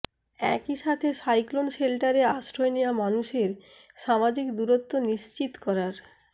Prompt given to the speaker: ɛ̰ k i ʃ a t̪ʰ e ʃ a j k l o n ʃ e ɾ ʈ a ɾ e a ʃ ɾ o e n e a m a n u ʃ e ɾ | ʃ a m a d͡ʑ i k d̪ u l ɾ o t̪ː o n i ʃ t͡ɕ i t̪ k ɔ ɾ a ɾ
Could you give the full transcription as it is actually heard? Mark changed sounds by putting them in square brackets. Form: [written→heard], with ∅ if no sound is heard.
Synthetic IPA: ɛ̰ k i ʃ a t̪ʰ e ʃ a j k l o n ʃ e [ɾ→l] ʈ a ɾ e a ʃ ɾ o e n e a m a n u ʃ e ɾ | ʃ a m a d͡ʑ i k d̪ u [l→∅] ɾ o t̪ː o n i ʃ t͡ɕ i t̪ k ɔ ɾ a ɾ